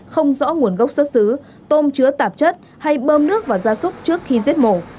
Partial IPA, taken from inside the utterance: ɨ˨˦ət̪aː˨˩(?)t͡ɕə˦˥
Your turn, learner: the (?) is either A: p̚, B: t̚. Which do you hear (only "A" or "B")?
A